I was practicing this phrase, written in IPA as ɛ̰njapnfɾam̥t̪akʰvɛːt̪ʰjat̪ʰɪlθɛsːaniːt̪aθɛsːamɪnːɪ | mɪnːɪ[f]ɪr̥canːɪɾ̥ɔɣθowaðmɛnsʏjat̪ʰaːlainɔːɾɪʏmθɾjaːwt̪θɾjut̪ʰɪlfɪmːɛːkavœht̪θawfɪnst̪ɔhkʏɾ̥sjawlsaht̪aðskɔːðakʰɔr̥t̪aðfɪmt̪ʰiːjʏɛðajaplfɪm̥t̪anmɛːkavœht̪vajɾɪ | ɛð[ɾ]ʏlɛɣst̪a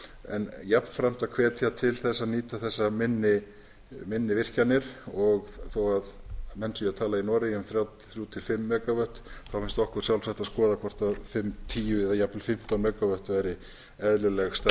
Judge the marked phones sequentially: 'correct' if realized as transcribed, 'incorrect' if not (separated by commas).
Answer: incorrect, incorrect